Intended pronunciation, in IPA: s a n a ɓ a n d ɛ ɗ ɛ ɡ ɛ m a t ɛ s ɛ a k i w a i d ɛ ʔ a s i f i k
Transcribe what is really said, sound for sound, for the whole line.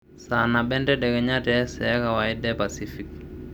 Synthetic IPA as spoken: s a n a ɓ ɛ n d ɛ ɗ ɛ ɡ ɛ ɲ a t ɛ s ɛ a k a w a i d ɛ p a s i f i k